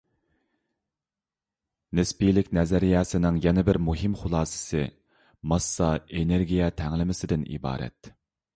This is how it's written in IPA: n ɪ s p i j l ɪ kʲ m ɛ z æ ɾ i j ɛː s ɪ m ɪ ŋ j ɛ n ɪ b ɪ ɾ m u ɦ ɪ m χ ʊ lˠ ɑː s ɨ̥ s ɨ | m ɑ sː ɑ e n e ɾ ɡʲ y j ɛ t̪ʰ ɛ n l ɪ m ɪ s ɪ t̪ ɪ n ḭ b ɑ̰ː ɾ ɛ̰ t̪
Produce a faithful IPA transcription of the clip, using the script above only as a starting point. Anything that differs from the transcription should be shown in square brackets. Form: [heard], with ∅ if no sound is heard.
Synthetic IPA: n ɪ s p i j l ɪ kʲ [n] ɛ z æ ɾ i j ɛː s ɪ [n] ɪ ŋ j ɛ n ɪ b ɪ ɾ m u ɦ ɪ m χ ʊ lˠ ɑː s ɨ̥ s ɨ | m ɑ sː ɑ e n e ɾ ɡʲ [i] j ɛ t̪ʰ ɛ [ŋ] l ɪ m ɪ s ɪ [d̪] ɪ n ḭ b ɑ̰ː ɾ ɛ̰ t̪